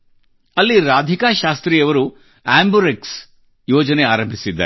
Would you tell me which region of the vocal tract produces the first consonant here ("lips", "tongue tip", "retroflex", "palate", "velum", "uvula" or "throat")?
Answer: tongue tip